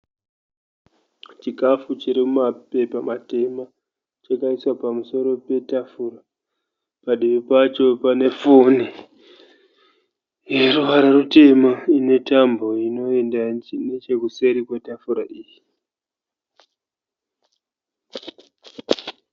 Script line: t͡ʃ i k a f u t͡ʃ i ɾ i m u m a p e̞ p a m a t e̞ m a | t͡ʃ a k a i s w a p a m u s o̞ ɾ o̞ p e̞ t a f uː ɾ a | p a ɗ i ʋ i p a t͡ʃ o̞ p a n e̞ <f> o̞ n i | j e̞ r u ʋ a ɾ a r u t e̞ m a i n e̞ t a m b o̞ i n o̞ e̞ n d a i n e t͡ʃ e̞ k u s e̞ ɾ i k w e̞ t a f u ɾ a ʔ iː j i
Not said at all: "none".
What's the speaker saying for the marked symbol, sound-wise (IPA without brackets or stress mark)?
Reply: f